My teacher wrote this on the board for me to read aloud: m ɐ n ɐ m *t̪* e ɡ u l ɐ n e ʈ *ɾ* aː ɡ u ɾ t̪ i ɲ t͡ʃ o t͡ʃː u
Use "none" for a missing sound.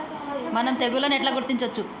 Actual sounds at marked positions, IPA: t̪, l

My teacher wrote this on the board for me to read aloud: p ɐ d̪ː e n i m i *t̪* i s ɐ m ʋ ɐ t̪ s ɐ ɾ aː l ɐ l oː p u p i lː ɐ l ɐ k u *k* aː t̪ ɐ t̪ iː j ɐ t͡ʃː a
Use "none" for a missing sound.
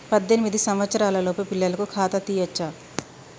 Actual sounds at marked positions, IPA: d̪, kʰ

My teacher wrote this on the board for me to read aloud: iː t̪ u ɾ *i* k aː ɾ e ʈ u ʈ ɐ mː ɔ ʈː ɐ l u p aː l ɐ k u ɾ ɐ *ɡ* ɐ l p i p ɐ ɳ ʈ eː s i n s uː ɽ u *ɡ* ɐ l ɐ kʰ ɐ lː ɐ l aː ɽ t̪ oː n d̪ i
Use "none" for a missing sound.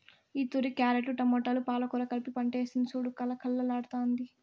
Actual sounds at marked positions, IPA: i, k, k

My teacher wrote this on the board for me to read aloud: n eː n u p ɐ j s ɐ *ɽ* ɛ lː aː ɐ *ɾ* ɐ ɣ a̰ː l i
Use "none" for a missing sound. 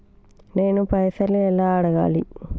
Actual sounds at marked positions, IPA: l, ɽ

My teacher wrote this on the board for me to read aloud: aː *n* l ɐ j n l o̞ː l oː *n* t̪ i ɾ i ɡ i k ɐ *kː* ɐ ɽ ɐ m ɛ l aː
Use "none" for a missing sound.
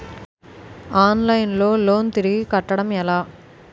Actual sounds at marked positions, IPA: n, n, ʈː

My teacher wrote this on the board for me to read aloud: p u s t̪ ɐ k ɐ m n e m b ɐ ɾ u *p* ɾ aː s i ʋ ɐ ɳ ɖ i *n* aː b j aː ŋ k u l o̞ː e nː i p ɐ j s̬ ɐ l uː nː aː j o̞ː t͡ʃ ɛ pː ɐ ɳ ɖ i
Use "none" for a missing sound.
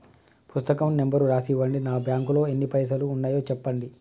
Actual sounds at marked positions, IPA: none, n

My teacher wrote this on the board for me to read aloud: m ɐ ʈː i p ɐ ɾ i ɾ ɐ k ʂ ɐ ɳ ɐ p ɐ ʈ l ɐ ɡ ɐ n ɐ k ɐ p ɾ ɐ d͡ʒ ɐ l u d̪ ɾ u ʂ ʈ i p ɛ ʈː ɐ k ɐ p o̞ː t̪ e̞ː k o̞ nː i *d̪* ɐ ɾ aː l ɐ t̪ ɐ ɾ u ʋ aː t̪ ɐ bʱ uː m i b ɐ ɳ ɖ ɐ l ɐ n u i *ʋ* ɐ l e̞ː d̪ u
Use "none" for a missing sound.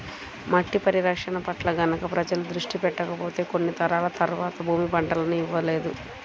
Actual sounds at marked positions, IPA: t̪, ʋː

